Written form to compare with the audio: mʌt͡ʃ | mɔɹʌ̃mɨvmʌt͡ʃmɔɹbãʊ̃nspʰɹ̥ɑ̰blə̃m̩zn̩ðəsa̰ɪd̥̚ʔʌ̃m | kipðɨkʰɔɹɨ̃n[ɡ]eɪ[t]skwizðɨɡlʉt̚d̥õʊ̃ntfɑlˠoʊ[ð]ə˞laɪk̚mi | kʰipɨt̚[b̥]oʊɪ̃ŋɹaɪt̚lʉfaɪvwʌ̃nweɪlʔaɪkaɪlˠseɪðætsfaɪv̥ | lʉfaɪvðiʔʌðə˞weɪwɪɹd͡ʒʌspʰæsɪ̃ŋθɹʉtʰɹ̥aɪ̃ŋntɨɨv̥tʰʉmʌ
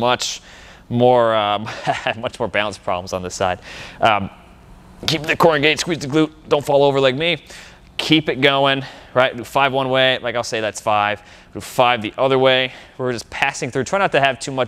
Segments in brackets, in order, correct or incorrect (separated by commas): correct, correct, incorrect, incorrect